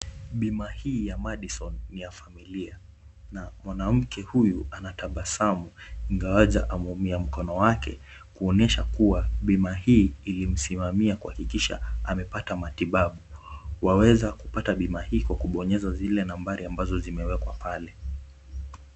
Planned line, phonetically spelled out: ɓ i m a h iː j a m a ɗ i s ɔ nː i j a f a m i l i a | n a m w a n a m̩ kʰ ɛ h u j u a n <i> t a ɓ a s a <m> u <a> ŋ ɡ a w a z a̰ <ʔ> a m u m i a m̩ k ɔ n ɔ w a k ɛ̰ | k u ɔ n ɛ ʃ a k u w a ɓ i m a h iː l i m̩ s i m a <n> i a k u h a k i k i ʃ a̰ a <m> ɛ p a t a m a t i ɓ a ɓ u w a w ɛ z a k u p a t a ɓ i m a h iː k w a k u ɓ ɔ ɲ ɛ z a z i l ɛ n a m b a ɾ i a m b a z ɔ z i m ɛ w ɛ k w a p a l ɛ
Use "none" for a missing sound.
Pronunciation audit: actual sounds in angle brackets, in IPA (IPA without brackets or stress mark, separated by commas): a, m, i, ʔ, m, m